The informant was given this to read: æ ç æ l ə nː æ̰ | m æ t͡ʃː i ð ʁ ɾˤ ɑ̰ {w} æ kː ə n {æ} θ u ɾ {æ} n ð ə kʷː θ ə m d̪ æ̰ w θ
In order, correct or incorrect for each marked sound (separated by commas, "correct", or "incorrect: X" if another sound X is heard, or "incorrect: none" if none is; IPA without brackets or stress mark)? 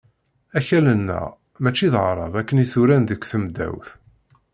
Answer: incorrect: v, incorrect: i, correct